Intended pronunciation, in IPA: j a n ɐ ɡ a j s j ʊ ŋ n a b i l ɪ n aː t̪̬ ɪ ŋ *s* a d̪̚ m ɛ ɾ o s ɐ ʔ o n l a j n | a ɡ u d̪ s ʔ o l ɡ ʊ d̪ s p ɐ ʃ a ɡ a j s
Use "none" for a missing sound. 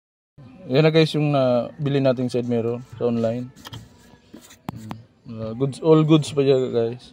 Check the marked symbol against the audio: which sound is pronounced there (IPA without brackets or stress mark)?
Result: s